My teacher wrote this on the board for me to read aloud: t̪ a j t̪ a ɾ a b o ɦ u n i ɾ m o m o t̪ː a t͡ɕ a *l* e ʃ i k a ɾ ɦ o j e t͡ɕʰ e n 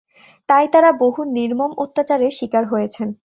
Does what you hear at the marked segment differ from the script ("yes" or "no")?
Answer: yes